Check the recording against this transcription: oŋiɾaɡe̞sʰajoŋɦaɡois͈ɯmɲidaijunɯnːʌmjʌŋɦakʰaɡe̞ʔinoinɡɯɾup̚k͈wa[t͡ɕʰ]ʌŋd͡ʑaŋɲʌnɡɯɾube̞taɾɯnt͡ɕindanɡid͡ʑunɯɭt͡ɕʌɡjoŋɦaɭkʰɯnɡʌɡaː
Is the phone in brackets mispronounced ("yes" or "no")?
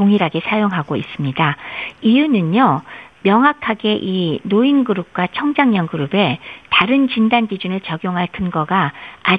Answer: no